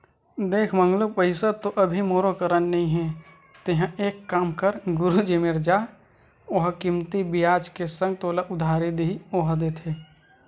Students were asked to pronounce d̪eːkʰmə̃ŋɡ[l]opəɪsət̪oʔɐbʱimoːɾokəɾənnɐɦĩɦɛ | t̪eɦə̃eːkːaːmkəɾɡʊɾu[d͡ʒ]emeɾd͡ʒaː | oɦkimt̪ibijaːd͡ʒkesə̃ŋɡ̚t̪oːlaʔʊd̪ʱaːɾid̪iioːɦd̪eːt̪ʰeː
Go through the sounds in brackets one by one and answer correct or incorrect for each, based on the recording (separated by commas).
correct, correct